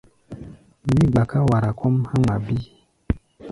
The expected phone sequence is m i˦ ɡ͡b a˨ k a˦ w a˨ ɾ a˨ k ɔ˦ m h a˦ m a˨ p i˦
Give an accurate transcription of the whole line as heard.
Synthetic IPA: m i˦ ɡ͡b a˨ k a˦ w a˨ ɾ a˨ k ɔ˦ m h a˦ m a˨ b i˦